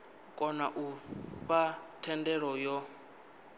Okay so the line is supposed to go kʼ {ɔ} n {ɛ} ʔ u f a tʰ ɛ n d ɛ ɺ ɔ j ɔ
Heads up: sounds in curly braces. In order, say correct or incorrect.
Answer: correct, incorrect: a

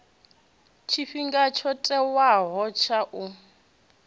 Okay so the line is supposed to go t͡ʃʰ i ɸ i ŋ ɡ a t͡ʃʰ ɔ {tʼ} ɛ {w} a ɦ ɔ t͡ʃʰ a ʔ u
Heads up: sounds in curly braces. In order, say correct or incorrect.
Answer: correct, correct

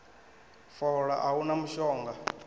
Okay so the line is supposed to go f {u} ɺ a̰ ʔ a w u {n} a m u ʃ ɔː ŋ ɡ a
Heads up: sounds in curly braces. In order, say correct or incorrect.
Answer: incorrect: ɔ, correct

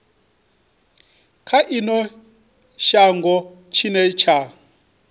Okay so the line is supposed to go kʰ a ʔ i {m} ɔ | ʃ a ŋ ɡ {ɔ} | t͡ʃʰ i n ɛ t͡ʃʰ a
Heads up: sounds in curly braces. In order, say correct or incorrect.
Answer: incorrect: n, correct

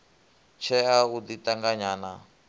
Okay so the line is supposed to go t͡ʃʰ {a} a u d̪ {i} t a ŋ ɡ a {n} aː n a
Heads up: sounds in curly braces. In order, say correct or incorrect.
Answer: incorrect: ɛ, correct, incorrect: ɲ

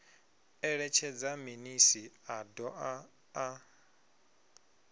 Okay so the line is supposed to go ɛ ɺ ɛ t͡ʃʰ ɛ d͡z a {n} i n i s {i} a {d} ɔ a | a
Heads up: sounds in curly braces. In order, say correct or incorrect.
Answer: incorrect: m, correct, correct

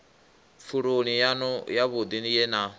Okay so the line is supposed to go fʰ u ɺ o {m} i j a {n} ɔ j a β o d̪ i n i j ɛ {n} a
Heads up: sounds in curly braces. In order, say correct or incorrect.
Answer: incorrect: n, correct, correct

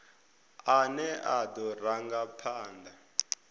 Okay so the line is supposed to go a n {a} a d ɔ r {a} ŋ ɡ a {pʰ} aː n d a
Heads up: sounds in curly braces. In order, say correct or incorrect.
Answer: incorrect: ɛ, correct, correct

